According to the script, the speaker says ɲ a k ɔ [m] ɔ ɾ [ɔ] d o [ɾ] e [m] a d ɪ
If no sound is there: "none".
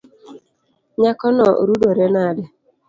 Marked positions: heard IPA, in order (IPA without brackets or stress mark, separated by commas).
n, u, ɾ, n